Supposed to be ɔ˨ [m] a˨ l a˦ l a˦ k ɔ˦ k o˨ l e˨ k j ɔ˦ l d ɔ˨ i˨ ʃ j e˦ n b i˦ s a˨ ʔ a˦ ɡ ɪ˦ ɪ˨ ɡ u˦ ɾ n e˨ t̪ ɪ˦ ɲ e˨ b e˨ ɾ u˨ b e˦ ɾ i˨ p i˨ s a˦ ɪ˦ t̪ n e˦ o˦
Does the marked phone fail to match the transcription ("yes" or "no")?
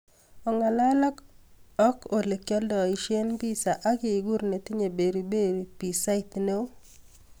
yes